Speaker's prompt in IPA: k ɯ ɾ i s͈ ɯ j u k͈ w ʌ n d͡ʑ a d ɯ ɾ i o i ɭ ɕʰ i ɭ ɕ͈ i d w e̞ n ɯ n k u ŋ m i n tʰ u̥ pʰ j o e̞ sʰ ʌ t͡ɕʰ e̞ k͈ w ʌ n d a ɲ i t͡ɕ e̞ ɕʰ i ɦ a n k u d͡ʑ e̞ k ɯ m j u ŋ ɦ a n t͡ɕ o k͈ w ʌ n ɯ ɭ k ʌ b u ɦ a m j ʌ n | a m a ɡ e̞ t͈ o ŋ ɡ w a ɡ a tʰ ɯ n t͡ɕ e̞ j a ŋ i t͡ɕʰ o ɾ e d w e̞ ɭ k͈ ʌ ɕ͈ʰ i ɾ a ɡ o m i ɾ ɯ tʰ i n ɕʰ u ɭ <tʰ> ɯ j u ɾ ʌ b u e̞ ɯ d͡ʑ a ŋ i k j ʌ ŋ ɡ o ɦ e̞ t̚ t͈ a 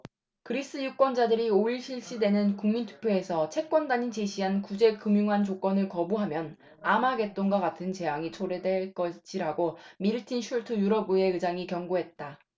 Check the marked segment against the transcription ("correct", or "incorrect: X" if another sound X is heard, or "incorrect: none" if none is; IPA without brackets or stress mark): correct